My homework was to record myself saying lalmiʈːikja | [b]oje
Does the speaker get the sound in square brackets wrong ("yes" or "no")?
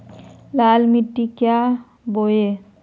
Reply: no